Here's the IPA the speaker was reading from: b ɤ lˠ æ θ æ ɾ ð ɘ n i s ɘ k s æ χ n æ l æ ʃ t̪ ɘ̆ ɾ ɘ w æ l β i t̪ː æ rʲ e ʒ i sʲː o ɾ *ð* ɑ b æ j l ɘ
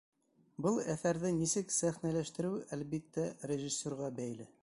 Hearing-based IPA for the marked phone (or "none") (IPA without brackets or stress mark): ʁ